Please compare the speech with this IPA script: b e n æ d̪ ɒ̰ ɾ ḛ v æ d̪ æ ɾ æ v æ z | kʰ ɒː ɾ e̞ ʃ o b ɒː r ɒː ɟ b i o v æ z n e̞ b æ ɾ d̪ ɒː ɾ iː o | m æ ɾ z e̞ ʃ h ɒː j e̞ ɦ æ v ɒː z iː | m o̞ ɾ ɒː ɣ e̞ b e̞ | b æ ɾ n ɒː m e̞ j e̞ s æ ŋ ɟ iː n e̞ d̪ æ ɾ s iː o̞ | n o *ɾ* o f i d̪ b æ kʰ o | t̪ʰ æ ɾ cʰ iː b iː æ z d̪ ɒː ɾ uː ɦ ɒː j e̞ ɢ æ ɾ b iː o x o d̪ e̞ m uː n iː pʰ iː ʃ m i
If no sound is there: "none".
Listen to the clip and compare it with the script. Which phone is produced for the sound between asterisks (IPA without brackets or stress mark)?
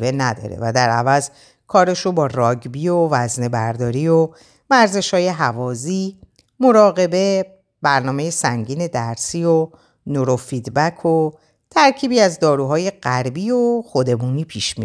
ɾ